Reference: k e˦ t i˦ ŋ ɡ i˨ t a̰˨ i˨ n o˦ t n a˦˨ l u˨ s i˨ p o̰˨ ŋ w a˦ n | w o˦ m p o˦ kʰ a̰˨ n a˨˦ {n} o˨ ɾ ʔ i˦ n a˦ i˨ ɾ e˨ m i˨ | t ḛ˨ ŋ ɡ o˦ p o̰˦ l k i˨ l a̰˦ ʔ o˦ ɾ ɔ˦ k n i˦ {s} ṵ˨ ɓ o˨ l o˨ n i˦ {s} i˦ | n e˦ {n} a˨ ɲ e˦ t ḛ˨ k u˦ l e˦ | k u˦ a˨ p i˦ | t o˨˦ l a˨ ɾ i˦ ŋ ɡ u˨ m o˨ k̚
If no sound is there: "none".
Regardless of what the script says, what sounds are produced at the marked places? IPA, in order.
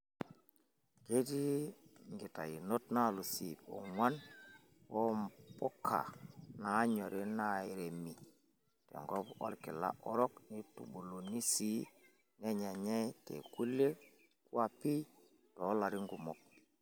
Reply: ɲ, t, s, ɲ

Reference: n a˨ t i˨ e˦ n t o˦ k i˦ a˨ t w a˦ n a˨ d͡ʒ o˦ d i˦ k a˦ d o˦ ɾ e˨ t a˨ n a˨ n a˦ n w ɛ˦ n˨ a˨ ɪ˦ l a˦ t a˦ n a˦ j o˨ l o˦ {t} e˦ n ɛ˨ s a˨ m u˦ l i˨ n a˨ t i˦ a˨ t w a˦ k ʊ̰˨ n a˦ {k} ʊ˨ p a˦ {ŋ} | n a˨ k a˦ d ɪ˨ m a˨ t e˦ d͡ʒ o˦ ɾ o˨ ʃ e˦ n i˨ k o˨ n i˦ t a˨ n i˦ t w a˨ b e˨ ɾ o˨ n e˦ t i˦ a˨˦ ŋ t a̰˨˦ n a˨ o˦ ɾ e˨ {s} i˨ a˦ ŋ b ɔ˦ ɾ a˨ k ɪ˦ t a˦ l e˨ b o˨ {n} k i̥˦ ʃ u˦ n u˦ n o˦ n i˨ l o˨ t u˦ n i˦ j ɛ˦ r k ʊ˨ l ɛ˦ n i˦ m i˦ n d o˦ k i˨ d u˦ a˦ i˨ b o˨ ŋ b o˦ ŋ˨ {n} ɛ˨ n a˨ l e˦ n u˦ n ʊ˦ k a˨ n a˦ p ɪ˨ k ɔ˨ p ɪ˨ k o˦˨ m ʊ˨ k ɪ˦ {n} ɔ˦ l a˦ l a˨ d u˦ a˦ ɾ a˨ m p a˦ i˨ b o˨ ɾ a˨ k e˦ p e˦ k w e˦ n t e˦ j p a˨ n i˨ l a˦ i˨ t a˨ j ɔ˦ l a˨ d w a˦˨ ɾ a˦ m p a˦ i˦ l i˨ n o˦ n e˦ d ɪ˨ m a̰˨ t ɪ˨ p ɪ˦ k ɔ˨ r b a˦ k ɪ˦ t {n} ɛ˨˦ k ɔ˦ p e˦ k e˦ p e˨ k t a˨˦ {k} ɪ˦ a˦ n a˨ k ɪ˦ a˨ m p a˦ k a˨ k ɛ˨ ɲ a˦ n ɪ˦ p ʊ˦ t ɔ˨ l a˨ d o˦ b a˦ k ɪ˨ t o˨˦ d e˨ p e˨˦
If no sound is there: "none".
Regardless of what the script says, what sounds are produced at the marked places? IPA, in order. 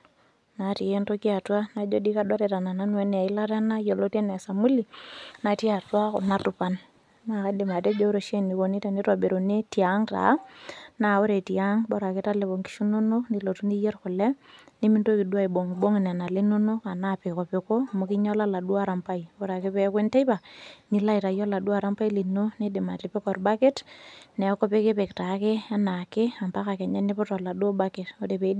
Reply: t, t, n, t, ŋ, n, ɲ, n, k

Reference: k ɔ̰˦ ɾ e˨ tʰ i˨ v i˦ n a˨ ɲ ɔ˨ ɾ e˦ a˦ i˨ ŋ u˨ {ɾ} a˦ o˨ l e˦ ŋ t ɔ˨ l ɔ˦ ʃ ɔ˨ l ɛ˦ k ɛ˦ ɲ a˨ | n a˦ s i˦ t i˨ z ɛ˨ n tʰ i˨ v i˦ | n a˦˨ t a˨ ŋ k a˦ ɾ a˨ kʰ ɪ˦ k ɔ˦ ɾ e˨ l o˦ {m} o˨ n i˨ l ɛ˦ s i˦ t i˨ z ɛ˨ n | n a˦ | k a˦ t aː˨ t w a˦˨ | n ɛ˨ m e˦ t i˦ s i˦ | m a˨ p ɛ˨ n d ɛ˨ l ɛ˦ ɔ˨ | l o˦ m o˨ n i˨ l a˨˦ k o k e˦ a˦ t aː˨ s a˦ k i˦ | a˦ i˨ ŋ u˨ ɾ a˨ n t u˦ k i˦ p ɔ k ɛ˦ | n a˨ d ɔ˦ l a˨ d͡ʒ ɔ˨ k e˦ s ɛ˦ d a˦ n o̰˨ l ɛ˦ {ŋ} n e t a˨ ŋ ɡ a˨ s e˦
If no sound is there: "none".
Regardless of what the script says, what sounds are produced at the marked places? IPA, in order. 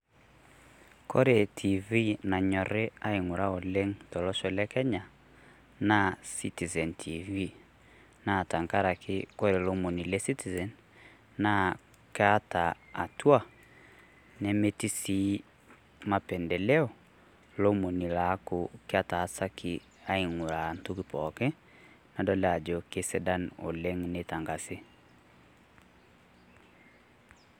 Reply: ɾ, m, ŋ

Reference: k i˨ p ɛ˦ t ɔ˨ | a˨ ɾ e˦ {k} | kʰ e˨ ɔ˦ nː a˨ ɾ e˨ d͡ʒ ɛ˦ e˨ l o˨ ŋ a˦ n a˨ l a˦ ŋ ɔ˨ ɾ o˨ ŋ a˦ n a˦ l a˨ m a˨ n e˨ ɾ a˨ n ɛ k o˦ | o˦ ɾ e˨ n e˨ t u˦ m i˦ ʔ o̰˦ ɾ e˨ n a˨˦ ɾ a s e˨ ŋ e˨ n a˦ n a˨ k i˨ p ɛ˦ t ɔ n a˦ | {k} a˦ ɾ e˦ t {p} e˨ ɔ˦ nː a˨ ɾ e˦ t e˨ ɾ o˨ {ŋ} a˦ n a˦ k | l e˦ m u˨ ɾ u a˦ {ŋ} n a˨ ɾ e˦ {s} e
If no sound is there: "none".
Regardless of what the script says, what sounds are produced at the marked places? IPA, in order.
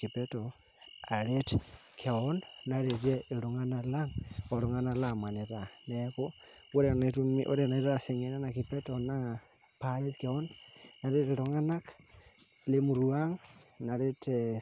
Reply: t, p, k, ŋ, ŋ, t

